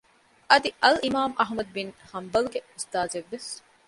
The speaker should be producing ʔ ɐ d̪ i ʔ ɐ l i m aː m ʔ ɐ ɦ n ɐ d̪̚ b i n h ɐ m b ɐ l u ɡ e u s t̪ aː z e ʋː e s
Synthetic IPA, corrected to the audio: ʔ ɐ d̪ i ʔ ɐ l i m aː m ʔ ɐ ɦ m ɐ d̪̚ b i n h ɐ m b ɐ l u ɡ e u s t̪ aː z e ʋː e s